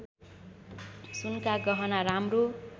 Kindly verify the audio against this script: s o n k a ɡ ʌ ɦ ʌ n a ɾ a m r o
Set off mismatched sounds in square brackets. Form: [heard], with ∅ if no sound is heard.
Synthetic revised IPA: s [u] n k a ɡ ʌ ɦ ʌ n a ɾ a m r o